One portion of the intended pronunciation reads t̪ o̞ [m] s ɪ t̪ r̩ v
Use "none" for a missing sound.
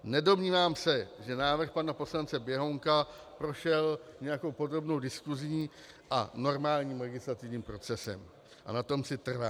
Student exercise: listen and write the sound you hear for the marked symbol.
m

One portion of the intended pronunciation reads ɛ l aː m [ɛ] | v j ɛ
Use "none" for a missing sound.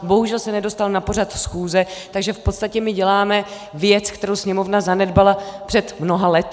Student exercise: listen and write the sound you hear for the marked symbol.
ɛ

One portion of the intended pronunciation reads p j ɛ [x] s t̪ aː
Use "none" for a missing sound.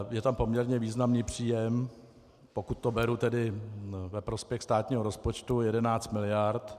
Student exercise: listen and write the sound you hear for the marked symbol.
x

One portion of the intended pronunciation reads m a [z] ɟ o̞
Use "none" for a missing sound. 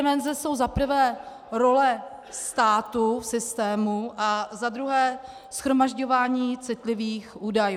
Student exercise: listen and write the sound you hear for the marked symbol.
ʒ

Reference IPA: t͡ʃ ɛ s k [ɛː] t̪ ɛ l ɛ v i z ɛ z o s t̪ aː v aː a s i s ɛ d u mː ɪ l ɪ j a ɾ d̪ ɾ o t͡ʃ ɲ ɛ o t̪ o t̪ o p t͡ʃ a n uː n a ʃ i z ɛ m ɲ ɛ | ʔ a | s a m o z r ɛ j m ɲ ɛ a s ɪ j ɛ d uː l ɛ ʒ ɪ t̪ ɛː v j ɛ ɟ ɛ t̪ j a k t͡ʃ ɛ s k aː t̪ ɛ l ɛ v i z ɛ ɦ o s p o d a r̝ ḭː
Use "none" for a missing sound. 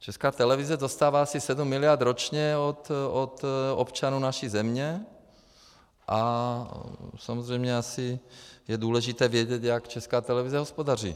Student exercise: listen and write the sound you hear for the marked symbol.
aː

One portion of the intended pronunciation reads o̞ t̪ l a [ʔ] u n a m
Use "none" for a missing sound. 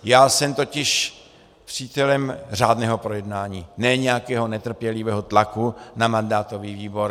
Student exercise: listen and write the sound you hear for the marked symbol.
k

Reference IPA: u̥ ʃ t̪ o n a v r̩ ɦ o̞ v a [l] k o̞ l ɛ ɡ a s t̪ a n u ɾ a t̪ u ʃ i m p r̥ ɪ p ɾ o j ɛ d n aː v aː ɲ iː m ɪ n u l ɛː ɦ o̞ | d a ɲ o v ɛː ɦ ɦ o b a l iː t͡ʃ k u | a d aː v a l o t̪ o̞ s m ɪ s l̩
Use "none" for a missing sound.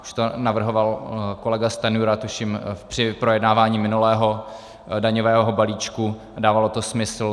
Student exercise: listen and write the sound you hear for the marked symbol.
l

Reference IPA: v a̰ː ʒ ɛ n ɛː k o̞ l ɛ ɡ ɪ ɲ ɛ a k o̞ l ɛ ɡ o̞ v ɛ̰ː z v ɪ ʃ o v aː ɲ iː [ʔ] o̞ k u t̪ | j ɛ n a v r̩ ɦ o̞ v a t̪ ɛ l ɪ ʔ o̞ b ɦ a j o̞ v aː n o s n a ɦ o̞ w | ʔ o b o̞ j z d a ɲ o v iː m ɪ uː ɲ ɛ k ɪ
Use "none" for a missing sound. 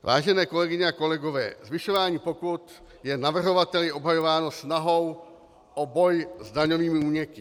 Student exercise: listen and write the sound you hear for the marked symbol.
p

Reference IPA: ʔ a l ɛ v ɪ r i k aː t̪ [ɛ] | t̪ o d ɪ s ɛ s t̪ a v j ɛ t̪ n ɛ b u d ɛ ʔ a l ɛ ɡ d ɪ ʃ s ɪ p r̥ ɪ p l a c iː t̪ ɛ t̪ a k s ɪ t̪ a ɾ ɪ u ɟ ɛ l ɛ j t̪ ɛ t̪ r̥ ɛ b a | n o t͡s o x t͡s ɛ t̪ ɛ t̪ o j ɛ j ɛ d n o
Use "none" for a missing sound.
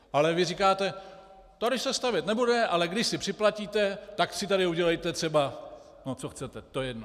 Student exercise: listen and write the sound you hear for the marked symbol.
ɛ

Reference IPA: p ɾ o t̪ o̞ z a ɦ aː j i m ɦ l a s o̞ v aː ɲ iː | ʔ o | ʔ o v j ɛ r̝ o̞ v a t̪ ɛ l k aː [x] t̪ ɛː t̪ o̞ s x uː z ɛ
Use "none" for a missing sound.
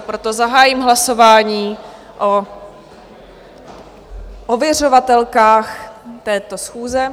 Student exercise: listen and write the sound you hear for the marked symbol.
x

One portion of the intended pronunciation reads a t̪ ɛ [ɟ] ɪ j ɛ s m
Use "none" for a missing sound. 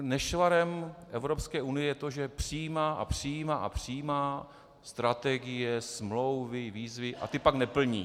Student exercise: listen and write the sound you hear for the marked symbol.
ɡ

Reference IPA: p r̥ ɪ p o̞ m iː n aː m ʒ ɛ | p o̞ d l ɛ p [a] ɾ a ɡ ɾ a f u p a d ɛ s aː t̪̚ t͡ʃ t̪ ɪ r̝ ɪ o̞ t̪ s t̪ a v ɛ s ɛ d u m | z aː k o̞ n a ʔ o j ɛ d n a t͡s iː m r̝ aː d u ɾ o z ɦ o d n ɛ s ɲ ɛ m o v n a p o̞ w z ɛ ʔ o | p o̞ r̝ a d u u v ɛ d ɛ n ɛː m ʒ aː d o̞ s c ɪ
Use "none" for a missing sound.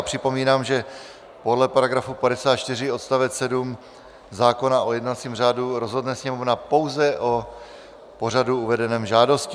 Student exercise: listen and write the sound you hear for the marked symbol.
a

